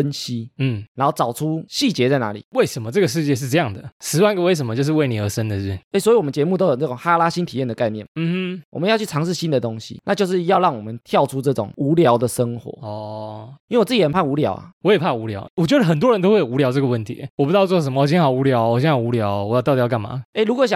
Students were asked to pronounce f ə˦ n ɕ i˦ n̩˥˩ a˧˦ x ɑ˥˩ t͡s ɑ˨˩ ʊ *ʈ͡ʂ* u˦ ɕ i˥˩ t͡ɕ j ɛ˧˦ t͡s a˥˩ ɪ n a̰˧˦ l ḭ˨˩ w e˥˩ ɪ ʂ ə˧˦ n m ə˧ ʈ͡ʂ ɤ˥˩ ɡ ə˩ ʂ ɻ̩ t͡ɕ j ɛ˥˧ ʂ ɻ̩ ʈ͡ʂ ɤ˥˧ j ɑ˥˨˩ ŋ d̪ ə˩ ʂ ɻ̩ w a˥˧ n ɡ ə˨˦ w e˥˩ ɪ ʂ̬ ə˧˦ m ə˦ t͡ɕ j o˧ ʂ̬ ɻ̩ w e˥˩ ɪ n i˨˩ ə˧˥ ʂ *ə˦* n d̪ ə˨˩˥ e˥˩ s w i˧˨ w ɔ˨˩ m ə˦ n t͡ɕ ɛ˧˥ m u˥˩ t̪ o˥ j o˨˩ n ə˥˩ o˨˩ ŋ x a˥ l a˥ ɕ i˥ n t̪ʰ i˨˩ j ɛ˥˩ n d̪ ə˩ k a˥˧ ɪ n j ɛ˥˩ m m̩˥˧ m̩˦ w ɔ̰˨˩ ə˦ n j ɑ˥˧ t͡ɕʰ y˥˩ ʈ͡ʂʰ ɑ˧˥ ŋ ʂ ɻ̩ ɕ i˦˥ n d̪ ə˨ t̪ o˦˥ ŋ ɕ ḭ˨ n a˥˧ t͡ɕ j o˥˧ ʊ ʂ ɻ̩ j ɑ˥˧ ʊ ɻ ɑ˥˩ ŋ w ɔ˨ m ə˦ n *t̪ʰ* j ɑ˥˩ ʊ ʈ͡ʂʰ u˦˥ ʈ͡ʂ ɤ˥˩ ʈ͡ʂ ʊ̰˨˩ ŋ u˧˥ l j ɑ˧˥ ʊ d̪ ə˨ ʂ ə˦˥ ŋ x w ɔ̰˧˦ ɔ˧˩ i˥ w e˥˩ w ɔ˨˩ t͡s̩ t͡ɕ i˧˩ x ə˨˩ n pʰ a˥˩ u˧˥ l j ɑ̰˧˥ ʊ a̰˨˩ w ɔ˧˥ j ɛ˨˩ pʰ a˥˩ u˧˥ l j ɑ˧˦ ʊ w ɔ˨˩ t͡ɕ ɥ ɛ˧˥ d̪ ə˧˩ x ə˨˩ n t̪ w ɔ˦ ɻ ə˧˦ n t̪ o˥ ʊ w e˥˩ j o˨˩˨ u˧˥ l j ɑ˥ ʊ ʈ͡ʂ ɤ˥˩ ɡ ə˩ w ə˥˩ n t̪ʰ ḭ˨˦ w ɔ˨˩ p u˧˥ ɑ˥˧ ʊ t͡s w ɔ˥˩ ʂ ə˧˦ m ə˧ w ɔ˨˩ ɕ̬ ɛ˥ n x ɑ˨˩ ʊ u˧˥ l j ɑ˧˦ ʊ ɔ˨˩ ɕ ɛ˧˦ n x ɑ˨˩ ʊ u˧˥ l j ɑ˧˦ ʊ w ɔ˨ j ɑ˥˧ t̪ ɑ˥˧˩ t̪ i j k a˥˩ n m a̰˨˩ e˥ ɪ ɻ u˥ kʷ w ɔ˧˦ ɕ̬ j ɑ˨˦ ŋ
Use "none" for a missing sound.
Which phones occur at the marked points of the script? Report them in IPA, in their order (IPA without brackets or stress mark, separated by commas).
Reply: ʈ͡ʂʰ, ə˦, t̪ʰ